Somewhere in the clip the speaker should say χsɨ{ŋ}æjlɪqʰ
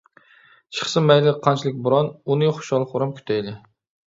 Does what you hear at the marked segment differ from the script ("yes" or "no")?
yes